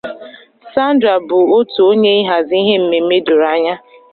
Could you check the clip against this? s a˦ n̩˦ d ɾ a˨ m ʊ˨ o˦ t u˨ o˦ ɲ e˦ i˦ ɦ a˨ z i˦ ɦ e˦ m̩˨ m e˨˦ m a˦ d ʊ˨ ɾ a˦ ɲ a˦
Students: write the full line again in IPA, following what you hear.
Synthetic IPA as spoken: s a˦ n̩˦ d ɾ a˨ b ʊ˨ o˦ t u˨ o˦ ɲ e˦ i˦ ɦ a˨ z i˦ ɦ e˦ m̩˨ m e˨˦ m e˦ d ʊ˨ ɾ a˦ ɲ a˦